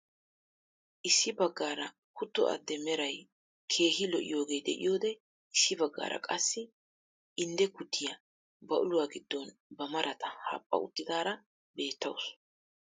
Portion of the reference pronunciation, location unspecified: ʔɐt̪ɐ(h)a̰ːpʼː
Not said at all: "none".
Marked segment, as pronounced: h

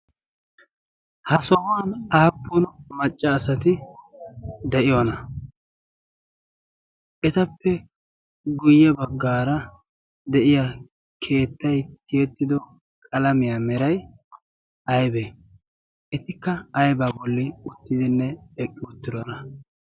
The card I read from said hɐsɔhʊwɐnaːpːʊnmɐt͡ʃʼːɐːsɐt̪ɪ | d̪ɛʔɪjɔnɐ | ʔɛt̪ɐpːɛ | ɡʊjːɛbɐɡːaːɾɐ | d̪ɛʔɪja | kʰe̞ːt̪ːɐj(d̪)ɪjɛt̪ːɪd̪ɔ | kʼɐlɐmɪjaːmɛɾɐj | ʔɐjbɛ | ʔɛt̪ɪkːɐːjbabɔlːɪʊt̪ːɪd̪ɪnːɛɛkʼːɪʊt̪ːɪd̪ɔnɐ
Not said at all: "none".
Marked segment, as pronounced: t̪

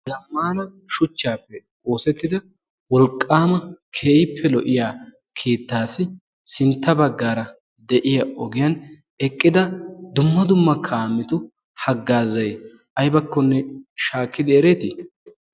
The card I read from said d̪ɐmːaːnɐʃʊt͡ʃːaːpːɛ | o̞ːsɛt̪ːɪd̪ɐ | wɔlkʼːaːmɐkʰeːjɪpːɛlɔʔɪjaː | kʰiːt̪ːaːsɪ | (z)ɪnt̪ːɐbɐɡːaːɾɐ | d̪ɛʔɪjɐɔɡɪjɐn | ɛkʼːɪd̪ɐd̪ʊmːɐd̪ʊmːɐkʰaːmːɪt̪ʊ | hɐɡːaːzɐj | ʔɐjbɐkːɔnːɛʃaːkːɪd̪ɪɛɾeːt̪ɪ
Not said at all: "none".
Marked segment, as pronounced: s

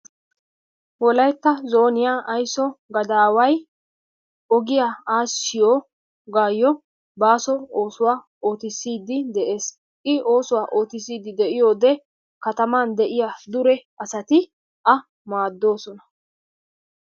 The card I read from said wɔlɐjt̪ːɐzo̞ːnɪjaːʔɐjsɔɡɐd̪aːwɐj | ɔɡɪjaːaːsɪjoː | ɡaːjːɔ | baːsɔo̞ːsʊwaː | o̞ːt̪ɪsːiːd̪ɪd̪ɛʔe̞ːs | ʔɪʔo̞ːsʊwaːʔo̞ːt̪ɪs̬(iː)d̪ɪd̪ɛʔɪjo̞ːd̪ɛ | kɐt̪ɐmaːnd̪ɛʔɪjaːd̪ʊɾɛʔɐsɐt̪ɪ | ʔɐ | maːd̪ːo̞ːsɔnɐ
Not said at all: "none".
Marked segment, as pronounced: iː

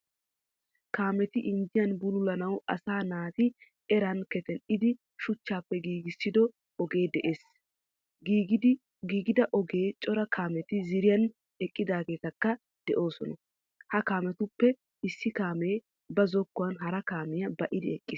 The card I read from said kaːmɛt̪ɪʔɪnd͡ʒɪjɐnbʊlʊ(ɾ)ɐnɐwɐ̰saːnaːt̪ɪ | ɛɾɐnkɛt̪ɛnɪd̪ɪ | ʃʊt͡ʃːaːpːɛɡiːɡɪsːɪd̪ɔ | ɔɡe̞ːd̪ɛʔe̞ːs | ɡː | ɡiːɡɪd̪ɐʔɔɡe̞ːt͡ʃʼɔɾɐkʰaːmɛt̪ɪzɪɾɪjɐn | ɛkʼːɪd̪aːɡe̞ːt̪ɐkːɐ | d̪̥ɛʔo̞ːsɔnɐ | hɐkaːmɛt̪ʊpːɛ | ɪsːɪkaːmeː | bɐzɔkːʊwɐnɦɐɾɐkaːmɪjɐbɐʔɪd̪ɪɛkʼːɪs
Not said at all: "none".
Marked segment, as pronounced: l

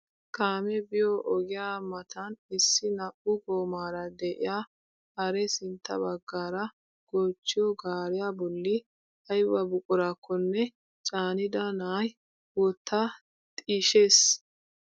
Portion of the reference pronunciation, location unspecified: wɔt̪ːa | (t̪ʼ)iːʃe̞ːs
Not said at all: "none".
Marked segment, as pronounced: t̪ʼ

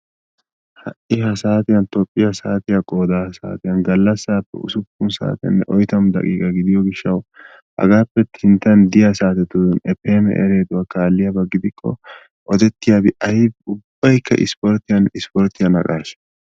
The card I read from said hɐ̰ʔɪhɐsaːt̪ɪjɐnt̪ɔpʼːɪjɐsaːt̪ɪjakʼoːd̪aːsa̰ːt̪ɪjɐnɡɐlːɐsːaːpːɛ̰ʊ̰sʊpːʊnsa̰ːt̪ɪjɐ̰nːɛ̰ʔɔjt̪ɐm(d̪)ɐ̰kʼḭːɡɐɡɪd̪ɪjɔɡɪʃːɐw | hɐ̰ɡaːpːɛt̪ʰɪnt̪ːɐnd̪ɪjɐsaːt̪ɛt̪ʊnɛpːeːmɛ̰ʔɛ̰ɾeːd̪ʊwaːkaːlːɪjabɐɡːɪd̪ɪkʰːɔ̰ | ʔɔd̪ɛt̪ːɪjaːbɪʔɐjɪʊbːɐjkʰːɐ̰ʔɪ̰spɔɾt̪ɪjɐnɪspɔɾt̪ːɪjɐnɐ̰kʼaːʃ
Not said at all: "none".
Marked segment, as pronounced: d̪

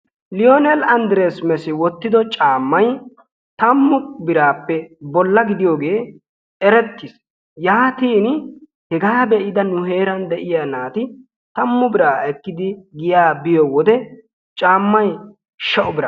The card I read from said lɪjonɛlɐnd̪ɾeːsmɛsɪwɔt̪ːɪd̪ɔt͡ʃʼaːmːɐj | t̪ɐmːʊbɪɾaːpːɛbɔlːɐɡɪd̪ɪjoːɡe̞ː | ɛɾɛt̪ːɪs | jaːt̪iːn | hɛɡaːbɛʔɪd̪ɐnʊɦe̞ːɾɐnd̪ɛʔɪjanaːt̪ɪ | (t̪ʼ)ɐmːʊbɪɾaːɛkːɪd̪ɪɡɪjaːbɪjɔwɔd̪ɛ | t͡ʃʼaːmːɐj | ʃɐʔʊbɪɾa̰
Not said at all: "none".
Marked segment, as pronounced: t̪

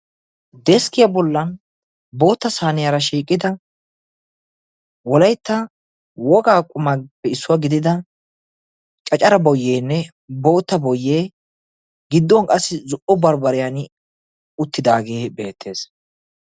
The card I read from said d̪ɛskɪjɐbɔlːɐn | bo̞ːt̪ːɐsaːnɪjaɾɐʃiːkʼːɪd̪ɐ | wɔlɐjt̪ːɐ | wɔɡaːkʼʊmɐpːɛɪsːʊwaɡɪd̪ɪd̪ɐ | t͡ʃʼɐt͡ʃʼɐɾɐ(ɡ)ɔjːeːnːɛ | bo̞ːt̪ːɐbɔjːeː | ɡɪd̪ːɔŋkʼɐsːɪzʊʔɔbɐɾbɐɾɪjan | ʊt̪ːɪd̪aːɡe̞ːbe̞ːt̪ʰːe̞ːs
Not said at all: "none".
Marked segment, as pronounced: b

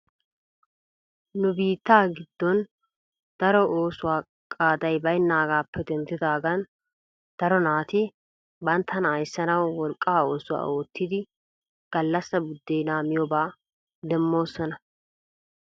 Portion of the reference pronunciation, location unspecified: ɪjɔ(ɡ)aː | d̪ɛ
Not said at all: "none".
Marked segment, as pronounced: b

